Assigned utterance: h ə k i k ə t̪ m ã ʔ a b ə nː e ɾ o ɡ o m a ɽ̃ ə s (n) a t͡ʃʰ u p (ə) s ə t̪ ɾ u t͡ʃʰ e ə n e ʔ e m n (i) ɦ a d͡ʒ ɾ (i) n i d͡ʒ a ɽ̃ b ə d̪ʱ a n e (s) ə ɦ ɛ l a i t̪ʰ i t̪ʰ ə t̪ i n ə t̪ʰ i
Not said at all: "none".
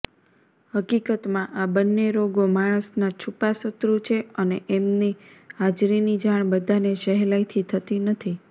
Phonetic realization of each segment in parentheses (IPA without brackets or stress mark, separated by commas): n, a, i, i, ʃ